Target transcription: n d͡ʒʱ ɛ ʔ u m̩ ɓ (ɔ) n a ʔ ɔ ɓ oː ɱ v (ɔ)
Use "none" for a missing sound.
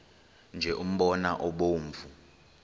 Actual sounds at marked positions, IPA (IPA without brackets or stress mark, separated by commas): ɔ, u